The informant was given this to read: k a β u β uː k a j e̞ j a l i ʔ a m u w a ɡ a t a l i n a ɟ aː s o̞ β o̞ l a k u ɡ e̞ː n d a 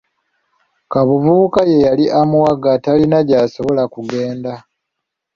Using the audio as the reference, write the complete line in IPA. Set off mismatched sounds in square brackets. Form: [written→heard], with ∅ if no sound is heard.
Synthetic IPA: k a β u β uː k a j e̞ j a l i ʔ a m u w a ɡ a t a l i n a ɟ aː s o̞ β o̞ l a k u ɡ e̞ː n d a